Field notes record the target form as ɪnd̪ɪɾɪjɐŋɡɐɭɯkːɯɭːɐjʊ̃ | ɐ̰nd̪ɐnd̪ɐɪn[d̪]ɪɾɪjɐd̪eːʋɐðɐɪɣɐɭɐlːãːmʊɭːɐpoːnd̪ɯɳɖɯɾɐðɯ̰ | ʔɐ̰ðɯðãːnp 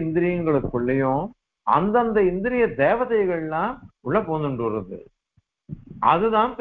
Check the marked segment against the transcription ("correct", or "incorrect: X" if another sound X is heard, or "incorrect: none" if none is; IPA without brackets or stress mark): correct